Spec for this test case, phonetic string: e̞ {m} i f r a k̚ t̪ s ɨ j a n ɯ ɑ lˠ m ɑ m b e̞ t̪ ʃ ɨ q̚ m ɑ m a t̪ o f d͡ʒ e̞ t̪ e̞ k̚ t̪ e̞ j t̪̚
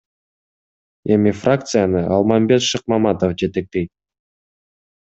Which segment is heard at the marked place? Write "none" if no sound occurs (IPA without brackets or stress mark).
m